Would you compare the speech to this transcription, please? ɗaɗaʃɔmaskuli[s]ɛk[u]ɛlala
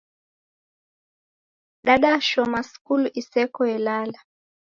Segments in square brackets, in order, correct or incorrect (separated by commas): correct, incorrect